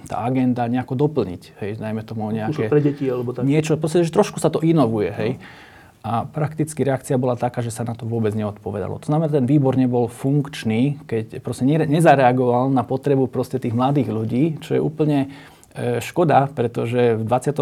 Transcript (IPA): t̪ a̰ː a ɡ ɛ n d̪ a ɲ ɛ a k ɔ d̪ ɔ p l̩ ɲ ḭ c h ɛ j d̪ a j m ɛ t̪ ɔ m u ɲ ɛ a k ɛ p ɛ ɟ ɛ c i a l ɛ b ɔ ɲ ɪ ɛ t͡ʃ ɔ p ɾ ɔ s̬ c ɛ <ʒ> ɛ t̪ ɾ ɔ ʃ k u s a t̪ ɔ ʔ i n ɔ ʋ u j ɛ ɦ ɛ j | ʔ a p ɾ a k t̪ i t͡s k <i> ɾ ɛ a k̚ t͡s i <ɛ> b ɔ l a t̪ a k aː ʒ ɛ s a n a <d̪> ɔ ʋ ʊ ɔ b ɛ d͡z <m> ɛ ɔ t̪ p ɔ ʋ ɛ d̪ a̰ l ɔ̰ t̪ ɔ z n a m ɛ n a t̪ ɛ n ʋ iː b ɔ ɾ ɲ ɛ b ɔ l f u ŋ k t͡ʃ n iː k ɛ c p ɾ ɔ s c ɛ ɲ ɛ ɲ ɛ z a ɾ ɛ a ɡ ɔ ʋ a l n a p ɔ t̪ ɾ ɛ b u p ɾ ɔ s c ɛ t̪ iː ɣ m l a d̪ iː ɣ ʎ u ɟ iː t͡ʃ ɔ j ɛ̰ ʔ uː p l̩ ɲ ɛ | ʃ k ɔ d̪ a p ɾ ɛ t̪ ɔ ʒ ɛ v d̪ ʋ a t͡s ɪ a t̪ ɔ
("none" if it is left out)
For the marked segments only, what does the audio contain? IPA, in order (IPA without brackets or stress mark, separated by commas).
ʒ, i, a, t̪, ɲ